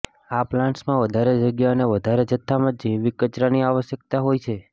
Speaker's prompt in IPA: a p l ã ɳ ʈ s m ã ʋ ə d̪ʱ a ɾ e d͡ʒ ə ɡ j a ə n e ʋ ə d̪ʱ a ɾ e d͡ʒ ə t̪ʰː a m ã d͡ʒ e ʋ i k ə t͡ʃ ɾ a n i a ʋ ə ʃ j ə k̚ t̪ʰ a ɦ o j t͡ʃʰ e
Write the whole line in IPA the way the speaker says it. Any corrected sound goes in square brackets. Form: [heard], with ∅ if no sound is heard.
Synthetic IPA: a p l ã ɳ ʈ s m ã ʋ ə d̪ʱ a ɾ e d͡ʒ ə ɡ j a ə n e ʋ ə d̪ʱ a ɾ e d͡ʒ ə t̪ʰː a m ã d͡ʒ e ʋ i k ə t͡ʃ ɾ a n i a ʋ ə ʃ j ə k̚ [t̪] a ɦ o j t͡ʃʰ e